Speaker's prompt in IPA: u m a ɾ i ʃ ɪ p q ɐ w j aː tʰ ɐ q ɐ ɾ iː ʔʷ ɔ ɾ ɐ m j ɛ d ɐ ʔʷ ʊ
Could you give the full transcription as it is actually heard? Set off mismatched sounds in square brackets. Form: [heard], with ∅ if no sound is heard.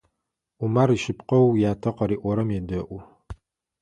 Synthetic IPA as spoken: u m a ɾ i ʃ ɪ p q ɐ w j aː tʰ ɐ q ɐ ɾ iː ʔʷ ɔ ɾ ɐ m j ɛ d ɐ ʔʷ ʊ